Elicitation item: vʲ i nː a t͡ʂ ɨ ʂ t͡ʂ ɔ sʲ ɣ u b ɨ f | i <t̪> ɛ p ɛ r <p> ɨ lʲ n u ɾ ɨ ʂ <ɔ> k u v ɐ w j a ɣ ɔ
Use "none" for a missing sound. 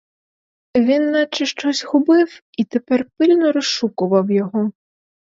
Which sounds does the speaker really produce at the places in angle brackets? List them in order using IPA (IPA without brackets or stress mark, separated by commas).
t̪, p, u